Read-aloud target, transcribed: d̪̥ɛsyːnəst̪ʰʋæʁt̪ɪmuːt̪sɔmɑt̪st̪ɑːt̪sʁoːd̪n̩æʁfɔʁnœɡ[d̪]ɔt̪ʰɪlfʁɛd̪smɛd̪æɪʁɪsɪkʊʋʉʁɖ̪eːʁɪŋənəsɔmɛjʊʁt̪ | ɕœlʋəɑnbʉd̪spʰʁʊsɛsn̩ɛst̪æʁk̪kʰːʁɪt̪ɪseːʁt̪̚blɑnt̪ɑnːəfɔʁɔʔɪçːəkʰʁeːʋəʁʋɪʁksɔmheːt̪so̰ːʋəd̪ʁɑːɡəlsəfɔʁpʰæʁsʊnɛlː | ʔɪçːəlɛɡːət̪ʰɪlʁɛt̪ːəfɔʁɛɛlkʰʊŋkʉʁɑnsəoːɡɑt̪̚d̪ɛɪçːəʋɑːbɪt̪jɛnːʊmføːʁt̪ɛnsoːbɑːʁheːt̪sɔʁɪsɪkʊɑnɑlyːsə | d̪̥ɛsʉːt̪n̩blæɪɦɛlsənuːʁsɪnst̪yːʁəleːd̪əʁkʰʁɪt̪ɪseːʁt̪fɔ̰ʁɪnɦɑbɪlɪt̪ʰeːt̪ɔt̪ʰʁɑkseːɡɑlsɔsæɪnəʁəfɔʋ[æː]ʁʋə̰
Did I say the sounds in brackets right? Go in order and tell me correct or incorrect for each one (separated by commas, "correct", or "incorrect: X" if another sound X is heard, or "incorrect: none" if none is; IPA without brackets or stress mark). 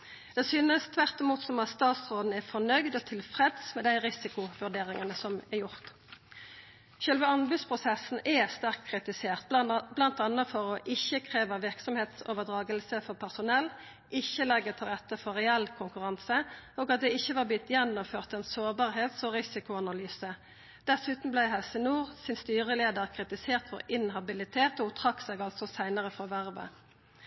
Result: correct, incorrect: æ